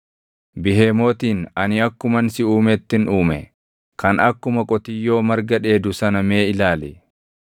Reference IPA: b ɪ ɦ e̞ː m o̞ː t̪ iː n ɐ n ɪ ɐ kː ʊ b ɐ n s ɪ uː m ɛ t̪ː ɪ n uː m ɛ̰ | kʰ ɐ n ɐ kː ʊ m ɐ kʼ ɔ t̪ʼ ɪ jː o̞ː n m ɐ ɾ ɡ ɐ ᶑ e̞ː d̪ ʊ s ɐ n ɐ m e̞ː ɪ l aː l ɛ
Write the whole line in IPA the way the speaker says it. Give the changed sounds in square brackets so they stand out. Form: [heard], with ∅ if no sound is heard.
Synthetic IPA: b ɪ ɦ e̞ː m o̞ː t̪ iː n ɐ n ɪ ɐ kː ʊ [m] ɐ n s ɪ uː m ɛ t̪ː ɪ n uː m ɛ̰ | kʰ ɐ n ɐ kː ʊ m ɐ kʼ ɔ [t̪] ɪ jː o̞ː [∅] m ɐ ɾ ɡ ɐ ᶑ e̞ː d̪ ʊ s ɐ n ɐ m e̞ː ɪ l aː l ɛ